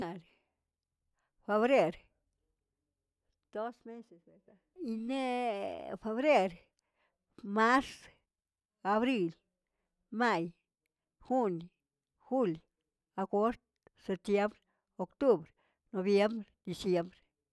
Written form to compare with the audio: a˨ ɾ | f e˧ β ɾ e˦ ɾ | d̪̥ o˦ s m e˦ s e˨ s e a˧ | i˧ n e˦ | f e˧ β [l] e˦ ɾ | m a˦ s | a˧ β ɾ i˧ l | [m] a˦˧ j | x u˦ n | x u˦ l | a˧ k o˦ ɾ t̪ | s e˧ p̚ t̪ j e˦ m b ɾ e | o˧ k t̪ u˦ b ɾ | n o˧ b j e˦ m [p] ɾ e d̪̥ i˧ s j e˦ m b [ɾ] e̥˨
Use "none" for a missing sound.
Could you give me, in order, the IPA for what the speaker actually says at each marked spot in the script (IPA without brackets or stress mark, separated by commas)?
ɾ, m, b, ɾ